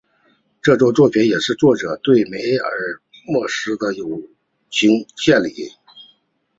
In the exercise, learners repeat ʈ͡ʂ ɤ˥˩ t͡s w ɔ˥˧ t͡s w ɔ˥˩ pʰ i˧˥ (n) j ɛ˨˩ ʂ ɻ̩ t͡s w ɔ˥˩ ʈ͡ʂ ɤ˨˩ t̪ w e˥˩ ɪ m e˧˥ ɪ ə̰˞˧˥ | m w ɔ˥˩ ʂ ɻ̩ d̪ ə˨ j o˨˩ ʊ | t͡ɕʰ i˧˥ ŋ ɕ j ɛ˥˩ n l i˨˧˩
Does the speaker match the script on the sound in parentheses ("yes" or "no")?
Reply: yes